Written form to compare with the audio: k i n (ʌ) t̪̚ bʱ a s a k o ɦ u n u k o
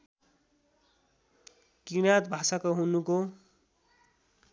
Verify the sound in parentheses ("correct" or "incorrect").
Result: incorrect